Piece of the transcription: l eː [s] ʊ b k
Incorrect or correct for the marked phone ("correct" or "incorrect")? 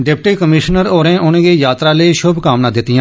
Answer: incorrect